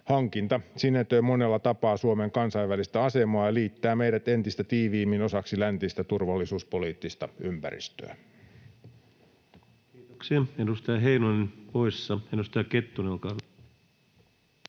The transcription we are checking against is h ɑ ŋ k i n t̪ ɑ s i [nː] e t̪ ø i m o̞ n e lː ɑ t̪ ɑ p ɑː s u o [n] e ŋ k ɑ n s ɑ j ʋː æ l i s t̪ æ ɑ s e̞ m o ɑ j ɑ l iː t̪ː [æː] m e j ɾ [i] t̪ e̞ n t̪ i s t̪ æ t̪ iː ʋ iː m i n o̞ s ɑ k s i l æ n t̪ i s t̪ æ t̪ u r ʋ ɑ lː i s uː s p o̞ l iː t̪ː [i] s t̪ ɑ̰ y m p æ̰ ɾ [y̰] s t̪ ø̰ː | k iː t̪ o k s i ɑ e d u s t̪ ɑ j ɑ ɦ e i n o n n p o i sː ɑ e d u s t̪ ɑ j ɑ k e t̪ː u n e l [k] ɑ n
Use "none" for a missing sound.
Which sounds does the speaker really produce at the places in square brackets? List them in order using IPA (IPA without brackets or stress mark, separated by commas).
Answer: nː, m, æː, æ, i, ḭ, k